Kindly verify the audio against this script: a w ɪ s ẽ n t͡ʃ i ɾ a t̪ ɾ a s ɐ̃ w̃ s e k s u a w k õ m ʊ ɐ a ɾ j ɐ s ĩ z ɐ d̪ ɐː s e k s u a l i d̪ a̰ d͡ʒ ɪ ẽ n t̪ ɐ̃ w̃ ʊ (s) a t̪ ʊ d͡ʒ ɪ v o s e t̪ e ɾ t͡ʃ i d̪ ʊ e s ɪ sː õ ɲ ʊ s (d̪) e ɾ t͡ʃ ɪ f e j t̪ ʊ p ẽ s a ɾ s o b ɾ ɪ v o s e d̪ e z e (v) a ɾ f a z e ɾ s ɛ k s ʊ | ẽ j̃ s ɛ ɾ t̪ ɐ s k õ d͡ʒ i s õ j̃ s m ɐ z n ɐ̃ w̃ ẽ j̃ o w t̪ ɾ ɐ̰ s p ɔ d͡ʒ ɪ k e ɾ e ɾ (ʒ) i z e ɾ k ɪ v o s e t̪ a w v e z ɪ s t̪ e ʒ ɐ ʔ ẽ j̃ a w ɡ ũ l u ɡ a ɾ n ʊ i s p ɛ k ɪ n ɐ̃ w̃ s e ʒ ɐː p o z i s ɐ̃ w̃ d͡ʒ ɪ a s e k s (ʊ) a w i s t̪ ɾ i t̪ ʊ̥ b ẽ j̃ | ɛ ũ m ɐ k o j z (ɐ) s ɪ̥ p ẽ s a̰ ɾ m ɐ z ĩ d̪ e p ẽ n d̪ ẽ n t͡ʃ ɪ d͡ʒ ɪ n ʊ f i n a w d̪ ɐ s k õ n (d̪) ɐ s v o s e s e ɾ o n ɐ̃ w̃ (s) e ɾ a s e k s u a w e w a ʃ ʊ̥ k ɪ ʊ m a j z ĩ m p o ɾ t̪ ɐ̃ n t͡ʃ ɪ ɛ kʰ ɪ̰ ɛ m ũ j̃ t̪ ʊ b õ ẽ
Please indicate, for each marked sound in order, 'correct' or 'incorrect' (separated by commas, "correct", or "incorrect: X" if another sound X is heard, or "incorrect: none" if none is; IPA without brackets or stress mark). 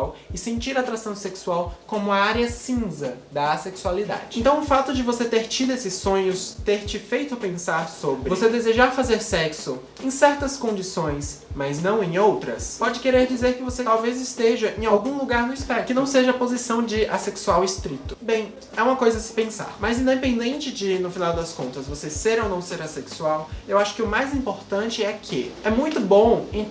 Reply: incorrect: f, incorrect: t̪, incorrect: ʒ, incorrect: d͡ʒ, incorrect: u, correct, incorrect: t̪, correct